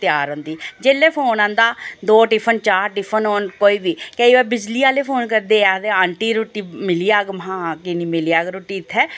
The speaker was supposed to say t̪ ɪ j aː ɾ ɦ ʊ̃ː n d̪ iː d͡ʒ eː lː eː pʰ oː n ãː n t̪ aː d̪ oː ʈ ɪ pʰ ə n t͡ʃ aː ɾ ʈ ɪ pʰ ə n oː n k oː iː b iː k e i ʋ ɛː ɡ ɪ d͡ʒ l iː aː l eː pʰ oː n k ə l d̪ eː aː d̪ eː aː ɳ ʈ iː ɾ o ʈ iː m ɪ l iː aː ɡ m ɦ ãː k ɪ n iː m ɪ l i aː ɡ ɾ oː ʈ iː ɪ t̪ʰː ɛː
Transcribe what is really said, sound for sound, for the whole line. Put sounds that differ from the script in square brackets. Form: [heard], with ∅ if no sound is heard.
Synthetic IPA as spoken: t̪ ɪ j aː ɾ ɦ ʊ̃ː n d̪ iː d͡ʒ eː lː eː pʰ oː n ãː n [d̪] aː d̪ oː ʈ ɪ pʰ ə n t͡ʃ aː ɾ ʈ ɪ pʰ ə n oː n k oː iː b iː k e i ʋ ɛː [b] ɪ d͡ʒ l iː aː l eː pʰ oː n k ə [ɾ] d̪ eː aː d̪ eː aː ɳ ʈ iː ɾ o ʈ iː m ɪ l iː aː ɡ m ɦ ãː k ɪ n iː m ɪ l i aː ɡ ɾ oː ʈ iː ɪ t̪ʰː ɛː